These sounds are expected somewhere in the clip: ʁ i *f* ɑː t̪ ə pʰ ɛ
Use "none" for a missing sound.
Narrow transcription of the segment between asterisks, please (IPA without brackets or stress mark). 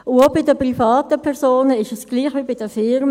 f